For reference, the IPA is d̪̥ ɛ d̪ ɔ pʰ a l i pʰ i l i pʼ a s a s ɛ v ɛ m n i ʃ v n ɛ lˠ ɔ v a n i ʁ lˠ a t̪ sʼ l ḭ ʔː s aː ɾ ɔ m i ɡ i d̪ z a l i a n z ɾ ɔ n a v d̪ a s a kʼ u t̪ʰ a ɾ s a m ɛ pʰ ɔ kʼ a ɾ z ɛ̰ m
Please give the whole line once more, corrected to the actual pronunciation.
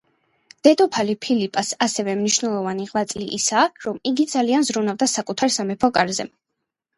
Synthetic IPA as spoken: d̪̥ ɛ d̪ ɔ pʰ a l i pʰ i l i pʼ a s a s ɛ v ɛ m n i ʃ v n ɛ lˠ ɔ v a n i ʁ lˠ a t̪ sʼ l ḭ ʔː s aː ɾ ɔ m i ɡ i d̪ z a l i a n z ɾ u n a v d̪ a s a kʼ u t̪ʰ a ɾ s a m ɛ pʰ ɔ kʼ a ɾ z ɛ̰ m